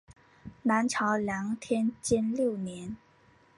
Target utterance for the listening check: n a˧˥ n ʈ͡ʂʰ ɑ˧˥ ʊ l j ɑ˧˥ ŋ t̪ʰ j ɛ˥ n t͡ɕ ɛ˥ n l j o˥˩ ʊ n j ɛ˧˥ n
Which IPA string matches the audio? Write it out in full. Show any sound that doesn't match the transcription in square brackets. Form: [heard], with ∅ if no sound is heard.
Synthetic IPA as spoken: n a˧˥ n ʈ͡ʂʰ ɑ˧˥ ʊ l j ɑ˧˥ ŋ t̪ʰ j ɛ˥ n t͡ɕ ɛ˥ n l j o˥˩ ʊ n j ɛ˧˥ n